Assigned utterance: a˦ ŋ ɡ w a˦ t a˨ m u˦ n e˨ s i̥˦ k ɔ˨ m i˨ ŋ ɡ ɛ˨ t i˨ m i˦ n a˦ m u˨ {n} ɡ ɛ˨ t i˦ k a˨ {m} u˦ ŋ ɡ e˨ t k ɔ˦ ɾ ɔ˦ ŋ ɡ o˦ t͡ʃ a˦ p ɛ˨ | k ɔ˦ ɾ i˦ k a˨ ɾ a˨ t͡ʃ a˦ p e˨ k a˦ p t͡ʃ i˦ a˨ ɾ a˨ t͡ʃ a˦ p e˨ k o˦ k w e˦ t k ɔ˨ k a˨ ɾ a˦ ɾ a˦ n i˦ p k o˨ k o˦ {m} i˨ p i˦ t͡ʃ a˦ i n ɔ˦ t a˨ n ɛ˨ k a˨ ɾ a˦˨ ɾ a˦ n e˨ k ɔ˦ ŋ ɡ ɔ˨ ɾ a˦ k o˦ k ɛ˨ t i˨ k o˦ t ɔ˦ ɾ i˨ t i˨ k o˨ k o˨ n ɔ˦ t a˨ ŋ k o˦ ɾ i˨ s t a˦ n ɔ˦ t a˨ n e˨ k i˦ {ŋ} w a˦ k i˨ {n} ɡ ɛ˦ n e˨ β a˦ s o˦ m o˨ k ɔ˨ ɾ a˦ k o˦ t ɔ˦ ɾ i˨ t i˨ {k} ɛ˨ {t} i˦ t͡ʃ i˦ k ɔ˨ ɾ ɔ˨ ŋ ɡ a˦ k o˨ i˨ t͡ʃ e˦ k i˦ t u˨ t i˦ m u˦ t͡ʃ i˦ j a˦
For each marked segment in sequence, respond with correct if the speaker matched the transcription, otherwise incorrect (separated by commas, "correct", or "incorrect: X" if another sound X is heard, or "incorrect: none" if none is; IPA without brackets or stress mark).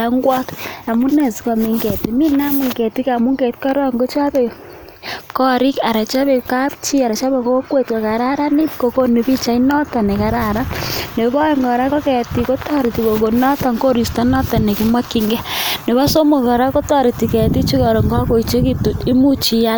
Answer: incorrect: ŋ, correct, incorrect: n, incorrect: m, incorrect: ŋ, correct, correct